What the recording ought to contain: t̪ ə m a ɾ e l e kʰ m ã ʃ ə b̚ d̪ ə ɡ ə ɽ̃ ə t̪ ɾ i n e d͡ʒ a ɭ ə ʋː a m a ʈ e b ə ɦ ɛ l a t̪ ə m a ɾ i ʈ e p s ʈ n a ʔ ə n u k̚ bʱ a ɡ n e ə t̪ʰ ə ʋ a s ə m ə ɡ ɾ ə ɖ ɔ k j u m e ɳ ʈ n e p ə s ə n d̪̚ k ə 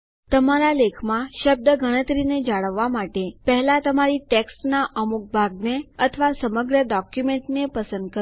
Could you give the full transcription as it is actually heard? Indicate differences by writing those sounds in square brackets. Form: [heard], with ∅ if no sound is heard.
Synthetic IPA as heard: t̪ ə m a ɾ [a] l e kʰ m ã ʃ ə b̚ d̪ ə ɡ ə ɽ̃ ə t̪ ɾ i n e d͡ʒ a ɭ ə ʋː a m a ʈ e [p] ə ɦ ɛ l a t̪ ə m a ɾ i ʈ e [k] s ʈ n a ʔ ə [m] u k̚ bʱ a ɡ n e ə t̪ʰ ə ʋ a s ə m ə ɡ ɾ ə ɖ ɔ k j u m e ɳ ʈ n e p ə s ə n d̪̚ k ə